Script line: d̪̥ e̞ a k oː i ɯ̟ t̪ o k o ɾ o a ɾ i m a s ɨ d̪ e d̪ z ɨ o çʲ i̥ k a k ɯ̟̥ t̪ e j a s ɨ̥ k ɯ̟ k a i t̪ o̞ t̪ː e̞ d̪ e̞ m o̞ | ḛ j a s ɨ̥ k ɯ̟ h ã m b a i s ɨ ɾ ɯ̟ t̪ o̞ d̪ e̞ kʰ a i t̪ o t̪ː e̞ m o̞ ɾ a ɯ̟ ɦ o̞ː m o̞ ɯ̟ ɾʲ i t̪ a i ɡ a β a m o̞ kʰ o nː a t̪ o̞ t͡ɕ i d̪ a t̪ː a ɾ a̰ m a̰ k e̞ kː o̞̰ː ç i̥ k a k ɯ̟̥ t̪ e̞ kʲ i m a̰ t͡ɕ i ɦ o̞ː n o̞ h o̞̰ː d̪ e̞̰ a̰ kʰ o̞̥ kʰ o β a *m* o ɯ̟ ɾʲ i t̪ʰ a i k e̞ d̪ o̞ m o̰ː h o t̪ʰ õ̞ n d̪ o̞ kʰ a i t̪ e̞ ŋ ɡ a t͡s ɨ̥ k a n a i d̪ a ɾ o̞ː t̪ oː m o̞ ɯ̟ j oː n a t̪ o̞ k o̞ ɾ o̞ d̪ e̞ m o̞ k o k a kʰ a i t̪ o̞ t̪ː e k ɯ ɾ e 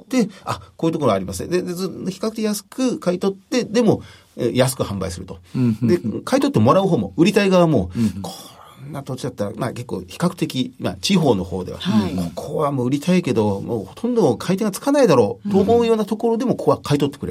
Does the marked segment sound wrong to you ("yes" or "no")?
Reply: no